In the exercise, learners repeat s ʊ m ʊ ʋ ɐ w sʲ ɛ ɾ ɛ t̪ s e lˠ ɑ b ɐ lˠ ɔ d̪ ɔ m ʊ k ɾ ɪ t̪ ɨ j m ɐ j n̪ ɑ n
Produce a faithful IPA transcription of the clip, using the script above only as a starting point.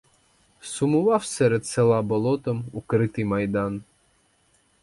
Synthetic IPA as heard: s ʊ m ʊ ʋ ɑ w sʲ ɛ ɾ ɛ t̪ s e lˠ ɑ b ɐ lˠ ɔ t̪ ɔ m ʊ k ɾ ɪ t̪ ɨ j m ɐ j d̪ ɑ n